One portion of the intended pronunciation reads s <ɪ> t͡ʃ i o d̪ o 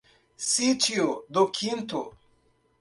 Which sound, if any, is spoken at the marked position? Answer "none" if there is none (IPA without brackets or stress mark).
i